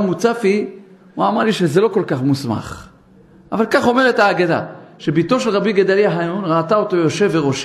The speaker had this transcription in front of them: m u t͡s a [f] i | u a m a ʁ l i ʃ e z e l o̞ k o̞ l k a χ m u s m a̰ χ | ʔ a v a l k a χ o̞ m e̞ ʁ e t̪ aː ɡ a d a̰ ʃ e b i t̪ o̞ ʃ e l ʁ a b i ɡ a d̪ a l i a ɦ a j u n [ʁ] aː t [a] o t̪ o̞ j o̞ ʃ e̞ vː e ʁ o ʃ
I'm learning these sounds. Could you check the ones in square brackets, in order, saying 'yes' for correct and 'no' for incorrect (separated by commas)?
yes, yes, yes